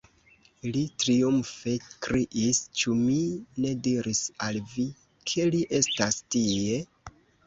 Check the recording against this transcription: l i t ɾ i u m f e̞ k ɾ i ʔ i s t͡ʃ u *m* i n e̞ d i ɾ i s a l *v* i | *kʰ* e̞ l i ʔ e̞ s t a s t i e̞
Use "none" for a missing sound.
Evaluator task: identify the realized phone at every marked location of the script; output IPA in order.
m, v, kʰ

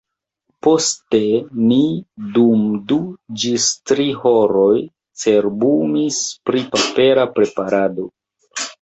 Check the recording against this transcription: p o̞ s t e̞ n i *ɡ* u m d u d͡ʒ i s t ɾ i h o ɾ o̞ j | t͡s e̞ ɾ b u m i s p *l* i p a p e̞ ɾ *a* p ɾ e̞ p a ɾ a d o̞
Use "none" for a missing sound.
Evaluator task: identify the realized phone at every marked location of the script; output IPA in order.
d, ɾ, a

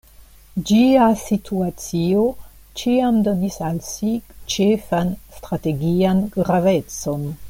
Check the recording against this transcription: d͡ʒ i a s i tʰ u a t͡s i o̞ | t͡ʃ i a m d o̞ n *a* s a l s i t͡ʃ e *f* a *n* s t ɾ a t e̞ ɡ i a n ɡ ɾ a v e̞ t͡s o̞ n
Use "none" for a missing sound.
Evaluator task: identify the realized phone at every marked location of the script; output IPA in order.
i, f, n

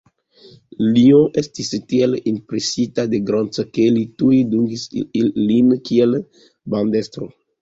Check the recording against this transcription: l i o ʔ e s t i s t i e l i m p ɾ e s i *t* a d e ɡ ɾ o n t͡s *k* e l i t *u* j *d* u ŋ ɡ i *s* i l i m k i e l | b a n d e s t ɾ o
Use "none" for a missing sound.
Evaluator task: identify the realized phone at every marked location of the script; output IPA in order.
t, k, u, d, s

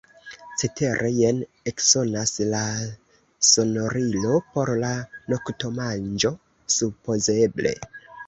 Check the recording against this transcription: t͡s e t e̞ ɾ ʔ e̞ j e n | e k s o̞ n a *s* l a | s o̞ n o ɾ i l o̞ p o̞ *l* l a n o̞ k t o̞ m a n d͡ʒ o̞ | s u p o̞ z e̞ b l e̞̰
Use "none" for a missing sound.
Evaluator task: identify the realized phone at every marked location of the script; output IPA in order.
s, ɾ

